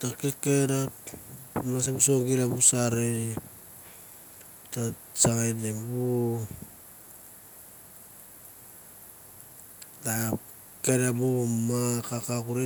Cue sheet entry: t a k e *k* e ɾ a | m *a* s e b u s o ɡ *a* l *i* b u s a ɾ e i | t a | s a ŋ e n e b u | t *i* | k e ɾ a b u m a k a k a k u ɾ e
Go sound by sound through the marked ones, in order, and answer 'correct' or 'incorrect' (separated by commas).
correct, correct, incorrect, incorrect, incorrect